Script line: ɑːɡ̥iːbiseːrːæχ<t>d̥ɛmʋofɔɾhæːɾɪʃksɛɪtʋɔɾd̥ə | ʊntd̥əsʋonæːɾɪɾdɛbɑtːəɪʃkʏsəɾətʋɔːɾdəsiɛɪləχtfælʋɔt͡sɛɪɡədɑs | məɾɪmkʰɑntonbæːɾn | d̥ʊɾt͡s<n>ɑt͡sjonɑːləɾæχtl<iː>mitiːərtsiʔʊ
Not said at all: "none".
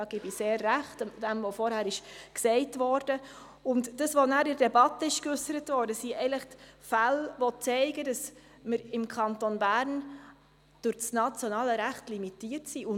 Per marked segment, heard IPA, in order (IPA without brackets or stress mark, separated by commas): t, n, i